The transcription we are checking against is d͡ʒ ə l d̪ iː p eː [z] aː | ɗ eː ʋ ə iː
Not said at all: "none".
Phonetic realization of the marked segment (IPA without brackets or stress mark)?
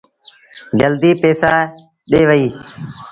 s